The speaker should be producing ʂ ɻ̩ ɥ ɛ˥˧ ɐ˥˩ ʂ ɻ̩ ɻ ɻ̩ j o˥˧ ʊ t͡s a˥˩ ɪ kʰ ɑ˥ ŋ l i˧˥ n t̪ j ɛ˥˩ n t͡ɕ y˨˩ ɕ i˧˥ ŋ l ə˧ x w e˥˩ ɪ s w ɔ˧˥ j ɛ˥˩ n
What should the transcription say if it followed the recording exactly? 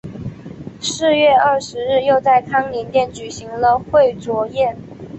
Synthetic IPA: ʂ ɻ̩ ɥ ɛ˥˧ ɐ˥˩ ʂ ɻ̩ ɻ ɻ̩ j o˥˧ ʊ t͡s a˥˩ ɪ kʰ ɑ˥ ŋ l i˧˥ n t̪ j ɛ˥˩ n t͡ɕ y˨˩ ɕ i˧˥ ŋ l ə˧ x w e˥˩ ɪ t͡s w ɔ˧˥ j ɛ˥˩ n

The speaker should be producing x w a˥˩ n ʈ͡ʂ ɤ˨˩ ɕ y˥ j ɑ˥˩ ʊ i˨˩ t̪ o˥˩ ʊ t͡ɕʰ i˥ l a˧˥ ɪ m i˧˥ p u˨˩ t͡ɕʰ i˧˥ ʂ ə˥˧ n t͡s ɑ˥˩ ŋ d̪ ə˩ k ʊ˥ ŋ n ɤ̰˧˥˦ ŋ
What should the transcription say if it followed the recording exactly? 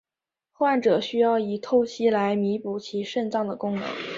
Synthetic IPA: x w a˥˩ n ʈ͡ʂ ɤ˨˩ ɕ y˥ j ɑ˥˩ ʊ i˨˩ t̪ʰ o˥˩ ʊ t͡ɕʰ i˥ l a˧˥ ɪ m i˧˥ p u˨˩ t͡ɕʰ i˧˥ ʂ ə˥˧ n t͡s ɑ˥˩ ŋ d̪ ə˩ k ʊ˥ ŋ n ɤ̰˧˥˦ ŋ

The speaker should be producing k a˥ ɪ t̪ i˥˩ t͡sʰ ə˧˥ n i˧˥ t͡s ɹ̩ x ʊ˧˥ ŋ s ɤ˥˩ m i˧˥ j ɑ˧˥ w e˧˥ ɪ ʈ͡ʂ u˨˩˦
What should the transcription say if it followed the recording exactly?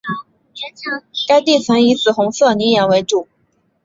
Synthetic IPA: k a˥ ɪ t̪ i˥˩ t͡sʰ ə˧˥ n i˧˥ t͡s ɹ̩ x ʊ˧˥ ŋ s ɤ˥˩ n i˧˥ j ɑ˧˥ w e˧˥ ɪ ʈ͡ʂ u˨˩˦

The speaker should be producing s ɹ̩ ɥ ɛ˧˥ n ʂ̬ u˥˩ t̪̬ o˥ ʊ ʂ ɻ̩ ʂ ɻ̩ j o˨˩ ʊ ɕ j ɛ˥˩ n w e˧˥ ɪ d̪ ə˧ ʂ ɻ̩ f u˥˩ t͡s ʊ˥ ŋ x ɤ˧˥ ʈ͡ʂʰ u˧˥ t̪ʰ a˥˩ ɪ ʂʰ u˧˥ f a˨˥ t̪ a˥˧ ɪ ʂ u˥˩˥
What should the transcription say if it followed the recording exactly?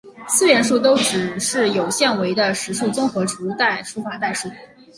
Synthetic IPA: s ɹ̩ ɥ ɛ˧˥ n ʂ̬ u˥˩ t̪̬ o˥ ʊ ʈ͡ʂ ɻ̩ ʂ ɻ̩ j o˨˩ ʊ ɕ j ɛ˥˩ n w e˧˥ ɪ d̪ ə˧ ʂ ɻ̩ ʂ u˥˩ t͡s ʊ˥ ŋ x ɤ˧˥ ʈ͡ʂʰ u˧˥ t̪ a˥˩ ɪ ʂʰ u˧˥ f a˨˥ t̪ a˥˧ ɪ ʂ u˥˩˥

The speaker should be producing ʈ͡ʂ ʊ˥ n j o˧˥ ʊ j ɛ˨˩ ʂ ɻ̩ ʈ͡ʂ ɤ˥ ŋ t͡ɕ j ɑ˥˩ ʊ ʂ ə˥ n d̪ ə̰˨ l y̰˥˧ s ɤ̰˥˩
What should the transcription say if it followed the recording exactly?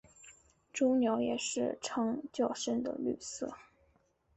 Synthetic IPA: ʈ͡ʂ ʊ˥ n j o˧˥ ʊ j ɛ˨˩ ʂ ɻ̩ ʈ͡ʂʰ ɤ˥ ŋ t͡ɕ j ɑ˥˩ ʊ ʂ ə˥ n d̪ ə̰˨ l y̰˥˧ s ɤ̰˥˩

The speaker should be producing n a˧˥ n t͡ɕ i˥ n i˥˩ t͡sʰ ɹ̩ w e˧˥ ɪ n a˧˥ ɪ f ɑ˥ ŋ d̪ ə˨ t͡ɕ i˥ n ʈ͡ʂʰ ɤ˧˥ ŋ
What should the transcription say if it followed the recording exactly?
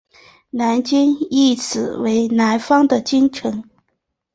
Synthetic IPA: n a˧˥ n t͡ɕ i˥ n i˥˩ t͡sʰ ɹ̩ w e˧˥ ɪ n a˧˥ ɪ f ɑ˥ ŋ d̪ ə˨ t͡ɕ i˥ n ʈ͡ʂʰ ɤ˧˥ ŋ

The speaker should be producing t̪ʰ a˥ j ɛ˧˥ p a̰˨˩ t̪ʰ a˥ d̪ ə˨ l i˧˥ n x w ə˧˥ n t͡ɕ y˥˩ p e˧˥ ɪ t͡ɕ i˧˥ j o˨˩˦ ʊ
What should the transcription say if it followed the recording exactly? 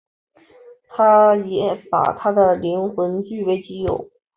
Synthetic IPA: t̪ʰ a˥ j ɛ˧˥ p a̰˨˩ t̪ʰ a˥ d̪ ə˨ l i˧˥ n x w ə˧˥ n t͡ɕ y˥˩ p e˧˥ ɪ t͡ɕ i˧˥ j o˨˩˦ ʊ

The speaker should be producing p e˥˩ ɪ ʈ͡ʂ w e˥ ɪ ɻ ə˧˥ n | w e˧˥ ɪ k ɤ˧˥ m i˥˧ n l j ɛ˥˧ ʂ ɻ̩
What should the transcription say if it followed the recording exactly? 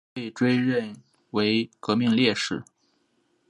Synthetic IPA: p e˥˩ ɪ ʈ͡ʂ w e˥ ɪ ɻ ə˥˩ n | w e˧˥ ɪ k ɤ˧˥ m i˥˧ ŋ l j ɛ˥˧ ʂ ɻ̩

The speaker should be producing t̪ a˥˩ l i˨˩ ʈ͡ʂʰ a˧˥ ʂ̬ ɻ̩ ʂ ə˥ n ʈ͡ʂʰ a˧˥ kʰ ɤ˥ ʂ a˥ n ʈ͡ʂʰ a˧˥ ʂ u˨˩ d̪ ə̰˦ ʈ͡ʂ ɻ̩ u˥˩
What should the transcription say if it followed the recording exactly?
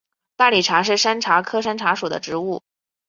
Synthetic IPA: t̪ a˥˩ l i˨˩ ʈ͡ʂʰ a˧˥ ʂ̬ ɻ̩ ʂ a˥ n ʈ͡ʂʰ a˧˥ kʰ ɤ˥ ʂ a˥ n ʈ͡ʂʰ a˧˥ ʂ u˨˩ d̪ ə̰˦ ʈ͡ʂ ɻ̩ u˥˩

